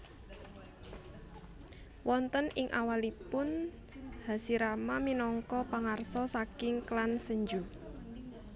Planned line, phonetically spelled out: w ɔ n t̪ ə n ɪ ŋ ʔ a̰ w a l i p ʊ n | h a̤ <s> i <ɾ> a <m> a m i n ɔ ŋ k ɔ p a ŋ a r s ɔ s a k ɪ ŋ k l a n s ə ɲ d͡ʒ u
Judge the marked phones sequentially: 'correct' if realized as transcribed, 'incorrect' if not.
correct, correct, correct

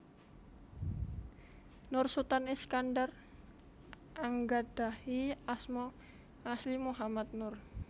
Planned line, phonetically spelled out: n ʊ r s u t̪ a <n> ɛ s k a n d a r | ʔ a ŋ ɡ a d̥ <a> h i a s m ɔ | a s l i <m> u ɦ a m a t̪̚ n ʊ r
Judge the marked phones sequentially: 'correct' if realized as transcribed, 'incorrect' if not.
correct, correct, correct

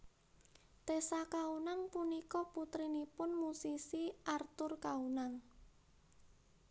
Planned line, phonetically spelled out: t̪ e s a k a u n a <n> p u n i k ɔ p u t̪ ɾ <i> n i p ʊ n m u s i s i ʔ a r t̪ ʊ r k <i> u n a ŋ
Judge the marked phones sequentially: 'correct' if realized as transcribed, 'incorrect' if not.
incorrect: ŋ, correct, incorrect: a

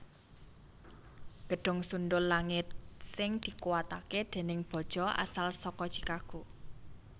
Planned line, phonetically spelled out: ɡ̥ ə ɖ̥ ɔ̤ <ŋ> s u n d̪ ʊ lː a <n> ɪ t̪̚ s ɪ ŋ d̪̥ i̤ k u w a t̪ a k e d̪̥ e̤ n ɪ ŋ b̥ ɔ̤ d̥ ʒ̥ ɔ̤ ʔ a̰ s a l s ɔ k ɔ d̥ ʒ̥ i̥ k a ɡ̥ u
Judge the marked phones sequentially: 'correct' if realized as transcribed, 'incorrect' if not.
correct, incorrect: ŋ

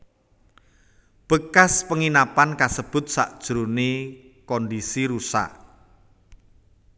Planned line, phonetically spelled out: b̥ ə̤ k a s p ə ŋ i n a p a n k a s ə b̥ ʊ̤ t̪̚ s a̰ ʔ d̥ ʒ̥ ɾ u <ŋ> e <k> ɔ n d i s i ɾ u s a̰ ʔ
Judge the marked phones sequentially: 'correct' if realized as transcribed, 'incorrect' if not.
incorrect: n, correct

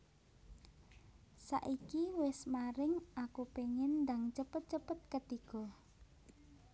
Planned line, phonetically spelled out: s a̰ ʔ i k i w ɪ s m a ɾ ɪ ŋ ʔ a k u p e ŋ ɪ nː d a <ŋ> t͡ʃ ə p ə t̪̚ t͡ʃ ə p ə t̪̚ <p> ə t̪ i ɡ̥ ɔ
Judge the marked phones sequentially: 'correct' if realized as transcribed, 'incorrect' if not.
correct, incorrect: k

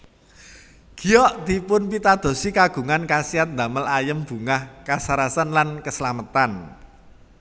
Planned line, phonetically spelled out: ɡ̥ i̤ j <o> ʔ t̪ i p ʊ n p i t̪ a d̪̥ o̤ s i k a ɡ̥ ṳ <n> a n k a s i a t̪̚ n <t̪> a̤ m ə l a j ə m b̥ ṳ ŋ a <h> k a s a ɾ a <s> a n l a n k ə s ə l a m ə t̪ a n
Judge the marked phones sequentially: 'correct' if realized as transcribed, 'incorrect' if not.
incorrect: ɔ, incorrect: ŋ, incorrect: d̪, correct, correct

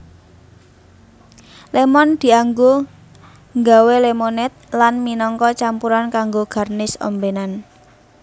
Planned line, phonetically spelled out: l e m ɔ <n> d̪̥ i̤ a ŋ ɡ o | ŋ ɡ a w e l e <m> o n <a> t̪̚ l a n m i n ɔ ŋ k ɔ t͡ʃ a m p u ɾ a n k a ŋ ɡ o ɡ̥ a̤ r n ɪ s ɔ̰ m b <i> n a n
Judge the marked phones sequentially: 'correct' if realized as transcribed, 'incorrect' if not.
correct, correct, incorrect: ɛ, incorrect: e

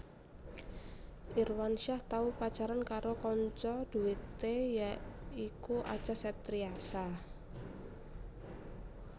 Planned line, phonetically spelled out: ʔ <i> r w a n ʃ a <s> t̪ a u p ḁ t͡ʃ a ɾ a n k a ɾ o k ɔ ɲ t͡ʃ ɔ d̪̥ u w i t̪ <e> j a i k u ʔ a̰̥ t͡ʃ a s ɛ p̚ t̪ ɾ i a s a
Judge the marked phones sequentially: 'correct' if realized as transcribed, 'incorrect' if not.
correct, incorrect: h, correct

